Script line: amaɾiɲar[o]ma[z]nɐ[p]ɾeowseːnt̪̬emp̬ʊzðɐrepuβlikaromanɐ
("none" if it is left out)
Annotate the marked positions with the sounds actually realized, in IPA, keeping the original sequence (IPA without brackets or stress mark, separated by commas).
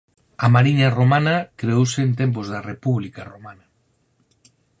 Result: o, none, k